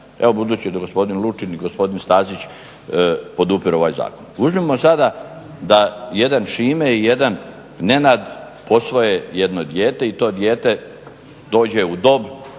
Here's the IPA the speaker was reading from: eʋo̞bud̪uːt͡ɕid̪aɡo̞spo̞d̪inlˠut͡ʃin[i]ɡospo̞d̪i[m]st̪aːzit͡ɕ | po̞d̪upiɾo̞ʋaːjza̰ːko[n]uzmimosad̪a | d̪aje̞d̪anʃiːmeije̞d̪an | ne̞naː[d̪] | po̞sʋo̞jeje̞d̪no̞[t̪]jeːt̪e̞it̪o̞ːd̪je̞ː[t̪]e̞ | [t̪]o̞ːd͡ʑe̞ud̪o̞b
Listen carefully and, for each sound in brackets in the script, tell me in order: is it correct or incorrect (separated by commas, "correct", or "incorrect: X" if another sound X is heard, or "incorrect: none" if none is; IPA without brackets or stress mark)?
correct, incorrect: n, correct, correct, incorrect: d̪, correct, incorrect: d̪